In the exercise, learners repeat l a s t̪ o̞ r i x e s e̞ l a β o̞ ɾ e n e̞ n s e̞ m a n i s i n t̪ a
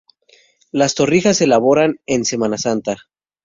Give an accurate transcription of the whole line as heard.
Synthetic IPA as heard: l a s t̪ o̞ r i x a s e̞ l a β o̞ ɾ a n e̞ n s e̞ m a n a s a n t̪ a